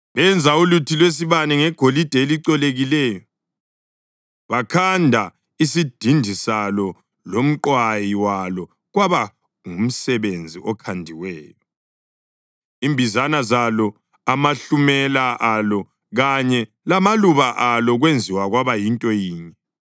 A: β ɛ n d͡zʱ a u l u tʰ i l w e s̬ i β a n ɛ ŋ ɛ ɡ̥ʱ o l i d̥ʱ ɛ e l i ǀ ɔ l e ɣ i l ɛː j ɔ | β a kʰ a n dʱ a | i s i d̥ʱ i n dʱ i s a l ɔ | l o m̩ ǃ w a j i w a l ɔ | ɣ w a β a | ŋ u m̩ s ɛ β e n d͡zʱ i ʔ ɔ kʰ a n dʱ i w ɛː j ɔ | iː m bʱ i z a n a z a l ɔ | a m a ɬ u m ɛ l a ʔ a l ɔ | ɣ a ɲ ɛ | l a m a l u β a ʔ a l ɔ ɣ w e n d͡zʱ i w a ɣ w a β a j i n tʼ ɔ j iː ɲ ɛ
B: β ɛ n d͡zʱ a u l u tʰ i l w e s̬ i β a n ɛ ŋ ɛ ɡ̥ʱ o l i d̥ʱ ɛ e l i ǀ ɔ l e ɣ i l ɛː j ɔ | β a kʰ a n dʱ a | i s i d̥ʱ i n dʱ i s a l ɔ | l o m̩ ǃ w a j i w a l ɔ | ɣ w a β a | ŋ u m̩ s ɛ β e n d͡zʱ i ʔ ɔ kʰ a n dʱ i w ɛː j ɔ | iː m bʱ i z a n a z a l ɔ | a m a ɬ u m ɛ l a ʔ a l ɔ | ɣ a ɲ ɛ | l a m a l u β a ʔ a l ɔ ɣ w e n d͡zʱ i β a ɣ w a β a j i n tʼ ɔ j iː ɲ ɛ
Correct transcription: A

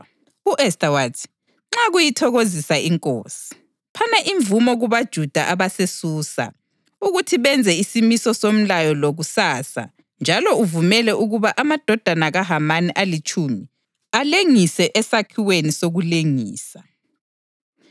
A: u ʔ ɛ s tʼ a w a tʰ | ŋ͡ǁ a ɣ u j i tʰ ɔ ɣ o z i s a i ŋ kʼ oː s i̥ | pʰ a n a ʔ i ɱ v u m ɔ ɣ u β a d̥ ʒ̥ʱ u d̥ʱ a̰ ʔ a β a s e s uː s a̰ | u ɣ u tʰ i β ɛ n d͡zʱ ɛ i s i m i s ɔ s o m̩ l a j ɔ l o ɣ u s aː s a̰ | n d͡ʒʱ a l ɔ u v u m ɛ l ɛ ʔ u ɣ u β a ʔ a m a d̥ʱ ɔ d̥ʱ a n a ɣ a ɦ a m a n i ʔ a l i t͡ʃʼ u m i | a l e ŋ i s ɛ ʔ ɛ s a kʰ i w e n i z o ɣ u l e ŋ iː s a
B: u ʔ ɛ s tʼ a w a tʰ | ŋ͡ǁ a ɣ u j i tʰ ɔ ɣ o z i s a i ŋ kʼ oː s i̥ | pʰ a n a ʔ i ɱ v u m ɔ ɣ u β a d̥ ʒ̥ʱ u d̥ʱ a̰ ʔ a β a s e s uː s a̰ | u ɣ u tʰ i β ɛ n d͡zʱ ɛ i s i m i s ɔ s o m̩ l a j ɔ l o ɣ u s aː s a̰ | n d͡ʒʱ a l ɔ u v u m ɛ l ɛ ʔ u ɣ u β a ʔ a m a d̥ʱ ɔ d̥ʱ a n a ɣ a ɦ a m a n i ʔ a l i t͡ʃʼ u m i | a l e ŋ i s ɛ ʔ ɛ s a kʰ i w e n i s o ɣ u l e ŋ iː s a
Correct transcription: B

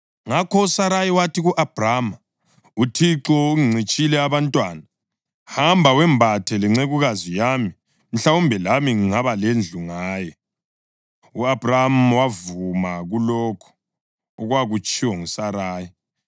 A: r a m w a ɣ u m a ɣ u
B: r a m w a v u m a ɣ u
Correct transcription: B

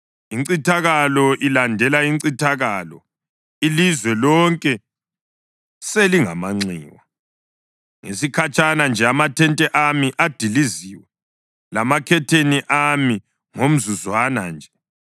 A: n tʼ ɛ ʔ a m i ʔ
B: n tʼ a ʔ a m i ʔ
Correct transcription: A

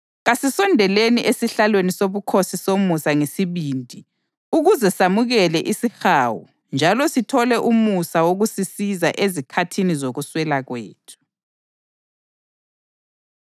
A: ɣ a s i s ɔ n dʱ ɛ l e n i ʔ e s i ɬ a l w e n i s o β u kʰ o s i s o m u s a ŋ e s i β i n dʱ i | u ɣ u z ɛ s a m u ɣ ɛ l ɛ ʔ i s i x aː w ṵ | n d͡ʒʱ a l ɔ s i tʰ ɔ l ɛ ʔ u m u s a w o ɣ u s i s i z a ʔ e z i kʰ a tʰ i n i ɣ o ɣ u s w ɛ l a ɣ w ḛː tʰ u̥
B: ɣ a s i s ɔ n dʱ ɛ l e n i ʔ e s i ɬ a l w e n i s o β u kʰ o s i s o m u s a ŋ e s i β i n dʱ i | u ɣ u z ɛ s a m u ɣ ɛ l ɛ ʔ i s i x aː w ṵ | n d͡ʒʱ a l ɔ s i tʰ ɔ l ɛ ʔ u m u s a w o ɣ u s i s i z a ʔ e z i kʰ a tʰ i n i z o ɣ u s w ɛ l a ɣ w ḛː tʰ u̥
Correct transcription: B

